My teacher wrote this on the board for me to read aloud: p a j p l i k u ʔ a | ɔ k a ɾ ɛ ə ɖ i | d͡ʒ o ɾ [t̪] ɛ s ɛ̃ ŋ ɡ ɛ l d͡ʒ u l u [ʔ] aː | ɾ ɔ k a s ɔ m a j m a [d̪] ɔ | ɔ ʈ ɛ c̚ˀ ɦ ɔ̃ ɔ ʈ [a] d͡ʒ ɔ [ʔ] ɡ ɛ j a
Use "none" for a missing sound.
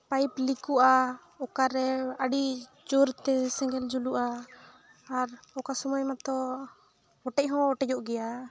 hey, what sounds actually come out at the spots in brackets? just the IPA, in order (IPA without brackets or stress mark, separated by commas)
t̪, ʔ, t̪, ɛ, ʔ